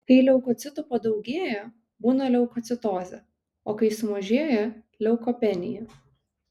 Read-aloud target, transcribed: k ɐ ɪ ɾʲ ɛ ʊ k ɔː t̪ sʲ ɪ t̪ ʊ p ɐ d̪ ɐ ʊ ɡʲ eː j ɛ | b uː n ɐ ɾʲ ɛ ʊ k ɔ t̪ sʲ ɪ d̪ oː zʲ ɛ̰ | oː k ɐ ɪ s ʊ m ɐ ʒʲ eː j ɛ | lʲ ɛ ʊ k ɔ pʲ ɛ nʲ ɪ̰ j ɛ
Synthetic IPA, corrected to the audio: k ɐ ɪ lʲ ɛ ʊ k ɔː t̪ sʲ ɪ t̪ ʊ p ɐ d̪ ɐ ʊ ɡʲ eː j ɛ | b uː n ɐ lʲ ɛ ʊ k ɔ t̪ sʲ ɪ t̪ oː zʲ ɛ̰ | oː k ɐ ɪ s ʊ m ɐ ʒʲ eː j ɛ | lʲ ɛ ʊ k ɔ pʲ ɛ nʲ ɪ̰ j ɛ